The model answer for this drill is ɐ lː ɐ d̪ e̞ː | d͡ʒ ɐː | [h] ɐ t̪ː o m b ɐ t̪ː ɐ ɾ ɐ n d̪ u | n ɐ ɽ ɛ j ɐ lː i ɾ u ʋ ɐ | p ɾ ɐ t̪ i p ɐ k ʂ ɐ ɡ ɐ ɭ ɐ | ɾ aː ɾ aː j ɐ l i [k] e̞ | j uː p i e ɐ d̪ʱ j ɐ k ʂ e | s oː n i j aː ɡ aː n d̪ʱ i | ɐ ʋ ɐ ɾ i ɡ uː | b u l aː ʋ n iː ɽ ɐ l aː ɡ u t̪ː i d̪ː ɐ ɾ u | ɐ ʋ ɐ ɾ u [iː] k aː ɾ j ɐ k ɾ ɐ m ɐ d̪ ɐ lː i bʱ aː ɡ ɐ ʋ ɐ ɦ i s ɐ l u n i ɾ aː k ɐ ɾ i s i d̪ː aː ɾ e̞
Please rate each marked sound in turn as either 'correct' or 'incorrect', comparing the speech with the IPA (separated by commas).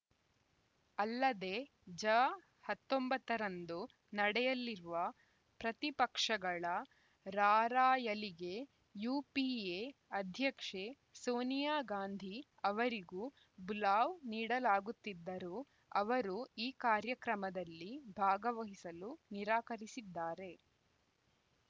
correct, incorrect, correct